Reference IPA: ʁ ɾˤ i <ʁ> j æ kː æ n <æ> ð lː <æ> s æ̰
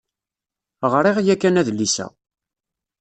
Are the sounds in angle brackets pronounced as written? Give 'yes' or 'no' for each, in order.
yes, yes, no

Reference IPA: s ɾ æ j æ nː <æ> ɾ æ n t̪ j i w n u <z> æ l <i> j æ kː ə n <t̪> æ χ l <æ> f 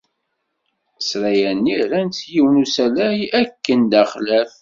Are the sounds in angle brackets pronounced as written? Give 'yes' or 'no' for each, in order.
no, no, no, no, yes

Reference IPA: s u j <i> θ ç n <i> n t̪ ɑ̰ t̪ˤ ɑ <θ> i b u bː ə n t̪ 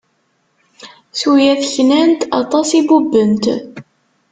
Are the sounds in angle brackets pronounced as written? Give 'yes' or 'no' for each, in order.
no, no, no

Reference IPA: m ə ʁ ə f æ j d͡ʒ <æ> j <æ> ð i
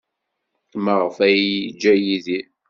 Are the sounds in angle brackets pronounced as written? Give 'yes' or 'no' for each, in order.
yes, no

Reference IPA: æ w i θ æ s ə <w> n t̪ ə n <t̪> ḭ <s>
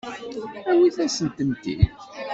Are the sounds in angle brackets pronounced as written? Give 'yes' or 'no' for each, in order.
no, yes, no

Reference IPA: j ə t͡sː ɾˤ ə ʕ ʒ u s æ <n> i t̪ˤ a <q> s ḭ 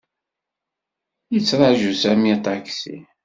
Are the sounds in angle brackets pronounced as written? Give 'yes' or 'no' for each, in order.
no, no

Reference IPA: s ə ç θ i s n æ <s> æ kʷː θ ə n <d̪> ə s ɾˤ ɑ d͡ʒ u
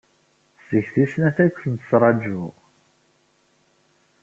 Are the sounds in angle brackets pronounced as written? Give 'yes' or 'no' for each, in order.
no, no

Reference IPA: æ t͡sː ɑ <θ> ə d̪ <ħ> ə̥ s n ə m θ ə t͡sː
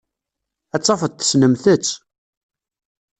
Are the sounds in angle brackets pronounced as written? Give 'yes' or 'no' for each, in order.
no, no

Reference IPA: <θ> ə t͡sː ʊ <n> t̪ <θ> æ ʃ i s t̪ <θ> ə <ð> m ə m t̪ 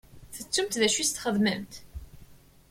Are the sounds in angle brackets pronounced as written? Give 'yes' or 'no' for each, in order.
yes, no, no, no, yes

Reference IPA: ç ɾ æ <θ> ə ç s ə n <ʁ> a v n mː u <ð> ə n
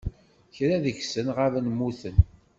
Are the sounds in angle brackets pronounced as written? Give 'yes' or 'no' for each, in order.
no, yes, no

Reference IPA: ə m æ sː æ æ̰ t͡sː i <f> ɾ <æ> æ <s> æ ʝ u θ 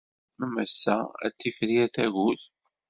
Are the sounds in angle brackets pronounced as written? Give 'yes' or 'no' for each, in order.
yes, no, no

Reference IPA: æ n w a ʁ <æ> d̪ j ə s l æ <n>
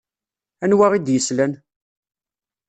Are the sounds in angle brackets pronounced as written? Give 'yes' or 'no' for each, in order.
no, yes

